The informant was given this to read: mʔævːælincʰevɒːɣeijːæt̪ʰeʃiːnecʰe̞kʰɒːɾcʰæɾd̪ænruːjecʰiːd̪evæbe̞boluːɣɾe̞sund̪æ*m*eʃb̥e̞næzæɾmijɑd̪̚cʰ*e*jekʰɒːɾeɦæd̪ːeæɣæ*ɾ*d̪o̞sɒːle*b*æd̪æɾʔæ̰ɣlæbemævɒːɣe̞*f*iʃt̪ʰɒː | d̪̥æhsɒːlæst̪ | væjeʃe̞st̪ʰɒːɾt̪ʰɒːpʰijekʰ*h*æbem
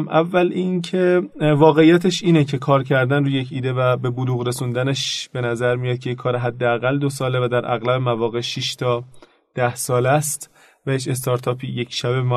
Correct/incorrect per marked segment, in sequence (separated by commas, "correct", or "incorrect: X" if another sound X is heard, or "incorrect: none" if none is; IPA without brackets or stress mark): incorrect: n, correct, incorrect: l, incorrect: v, incorrect: ʃ, incorrect: ʃ